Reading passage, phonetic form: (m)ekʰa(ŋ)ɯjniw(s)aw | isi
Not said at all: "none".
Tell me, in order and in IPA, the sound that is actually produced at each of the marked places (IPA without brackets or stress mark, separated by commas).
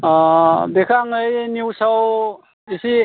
b, ŋ, s